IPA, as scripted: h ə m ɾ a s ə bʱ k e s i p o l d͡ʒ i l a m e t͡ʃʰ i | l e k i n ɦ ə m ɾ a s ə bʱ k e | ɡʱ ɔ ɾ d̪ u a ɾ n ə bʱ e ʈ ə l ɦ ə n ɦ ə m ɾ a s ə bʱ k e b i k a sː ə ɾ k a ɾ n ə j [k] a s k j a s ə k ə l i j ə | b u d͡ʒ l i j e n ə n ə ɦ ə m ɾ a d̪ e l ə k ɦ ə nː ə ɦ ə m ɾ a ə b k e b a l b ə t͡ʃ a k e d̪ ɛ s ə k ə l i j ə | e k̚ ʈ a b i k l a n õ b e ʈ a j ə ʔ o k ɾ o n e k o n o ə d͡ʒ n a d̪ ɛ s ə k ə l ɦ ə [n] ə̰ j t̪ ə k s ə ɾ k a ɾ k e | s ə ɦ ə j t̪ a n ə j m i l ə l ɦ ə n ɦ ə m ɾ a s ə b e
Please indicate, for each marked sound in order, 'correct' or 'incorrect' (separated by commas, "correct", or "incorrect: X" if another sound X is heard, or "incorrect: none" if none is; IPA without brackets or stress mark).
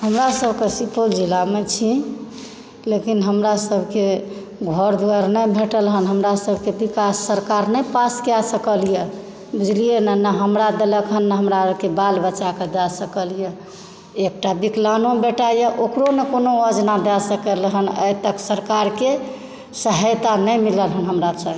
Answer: incorrect: p, correct